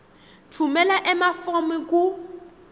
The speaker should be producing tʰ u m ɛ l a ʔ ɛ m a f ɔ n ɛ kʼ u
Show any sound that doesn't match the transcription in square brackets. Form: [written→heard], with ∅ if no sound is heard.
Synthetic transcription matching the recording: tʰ u m ɛ l a ʔ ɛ m a f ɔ [n→m] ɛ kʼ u